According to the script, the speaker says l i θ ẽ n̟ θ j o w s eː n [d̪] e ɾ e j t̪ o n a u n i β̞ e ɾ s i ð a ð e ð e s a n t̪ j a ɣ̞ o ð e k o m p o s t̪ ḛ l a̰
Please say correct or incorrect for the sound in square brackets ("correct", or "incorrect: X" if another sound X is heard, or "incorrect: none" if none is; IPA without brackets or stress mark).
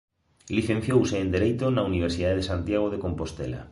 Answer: correct